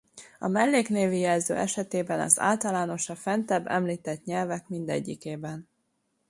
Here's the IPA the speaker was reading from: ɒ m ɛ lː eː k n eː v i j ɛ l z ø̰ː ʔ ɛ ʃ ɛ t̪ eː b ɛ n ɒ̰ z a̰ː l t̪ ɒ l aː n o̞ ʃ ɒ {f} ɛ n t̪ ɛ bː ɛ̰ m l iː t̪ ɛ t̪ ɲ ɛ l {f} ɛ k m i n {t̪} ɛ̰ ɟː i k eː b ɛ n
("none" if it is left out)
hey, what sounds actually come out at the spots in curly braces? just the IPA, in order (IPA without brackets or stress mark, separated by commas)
f, v, d̪